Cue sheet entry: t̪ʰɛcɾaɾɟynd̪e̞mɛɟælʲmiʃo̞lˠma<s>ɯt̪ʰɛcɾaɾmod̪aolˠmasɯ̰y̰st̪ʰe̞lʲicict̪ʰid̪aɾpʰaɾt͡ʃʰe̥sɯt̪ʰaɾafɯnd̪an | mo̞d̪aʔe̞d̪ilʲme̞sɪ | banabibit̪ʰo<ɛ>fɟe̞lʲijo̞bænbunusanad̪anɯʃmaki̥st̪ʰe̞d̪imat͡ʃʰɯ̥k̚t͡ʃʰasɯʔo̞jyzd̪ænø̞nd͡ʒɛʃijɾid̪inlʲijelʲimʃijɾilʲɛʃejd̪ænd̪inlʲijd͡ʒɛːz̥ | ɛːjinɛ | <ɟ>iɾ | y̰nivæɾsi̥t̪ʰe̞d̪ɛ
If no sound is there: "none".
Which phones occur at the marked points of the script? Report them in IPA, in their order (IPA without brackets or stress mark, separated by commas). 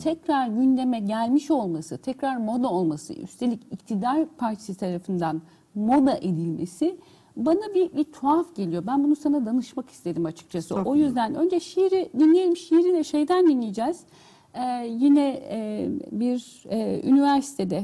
s, a, b